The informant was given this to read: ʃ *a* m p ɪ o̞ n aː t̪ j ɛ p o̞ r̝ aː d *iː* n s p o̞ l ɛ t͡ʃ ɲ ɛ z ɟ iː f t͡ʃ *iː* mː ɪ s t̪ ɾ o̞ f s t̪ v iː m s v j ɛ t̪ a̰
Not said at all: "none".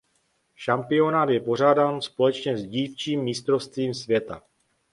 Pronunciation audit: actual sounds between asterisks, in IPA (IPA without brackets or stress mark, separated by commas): a, aː, iː